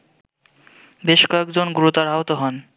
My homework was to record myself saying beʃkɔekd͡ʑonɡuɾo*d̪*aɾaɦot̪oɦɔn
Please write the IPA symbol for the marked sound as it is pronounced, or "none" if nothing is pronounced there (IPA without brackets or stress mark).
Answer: t̪